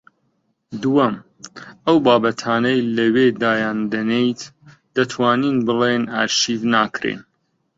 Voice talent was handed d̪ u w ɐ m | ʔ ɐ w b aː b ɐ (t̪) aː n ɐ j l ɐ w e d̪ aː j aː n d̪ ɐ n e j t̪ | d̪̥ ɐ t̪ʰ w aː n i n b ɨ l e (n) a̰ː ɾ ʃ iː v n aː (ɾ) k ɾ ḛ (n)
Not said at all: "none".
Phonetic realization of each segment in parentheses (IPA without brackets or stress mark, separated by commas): t̪ʰ, n, none, n